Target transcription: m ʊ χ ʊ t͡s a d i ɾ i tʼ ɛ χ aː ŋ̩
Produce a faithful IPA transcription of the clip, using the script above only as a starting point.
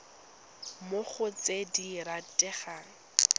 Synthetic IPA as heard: m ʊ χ ʊ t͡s e d i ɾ a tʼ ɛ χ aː ŋ̩